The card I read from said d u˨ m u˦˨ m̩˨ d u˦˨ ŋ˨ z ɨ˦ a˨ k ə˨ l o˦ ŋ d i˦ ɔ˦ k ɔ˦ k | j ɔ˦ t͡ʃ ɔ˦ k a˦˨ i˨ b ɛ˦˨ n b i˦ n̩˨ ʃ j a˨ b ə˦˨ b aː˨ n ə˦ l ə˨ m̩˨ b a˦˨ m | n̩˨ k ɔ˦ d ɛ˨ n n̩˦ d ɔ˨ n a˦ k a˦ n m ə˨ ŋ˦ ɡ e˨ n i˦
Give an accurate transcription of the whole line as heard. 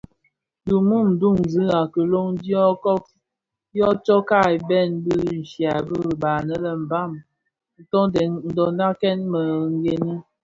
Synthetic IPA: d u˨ m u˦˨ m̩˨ d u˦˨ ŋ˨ z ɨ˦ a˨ k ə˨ l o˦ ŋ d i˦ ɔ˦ k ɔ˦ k | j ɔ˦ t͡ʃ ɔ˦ k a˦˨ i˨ b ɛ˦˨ n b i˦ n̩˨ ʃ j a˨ b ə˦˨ b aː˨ n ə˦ l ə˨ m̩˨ b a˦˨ m | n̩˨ t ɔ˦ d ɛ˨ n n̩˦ d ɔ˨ n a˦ k ɛ˦ n m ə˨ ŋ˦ ɡ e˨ n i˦